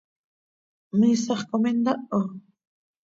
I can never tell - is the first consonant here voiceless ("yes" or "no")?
no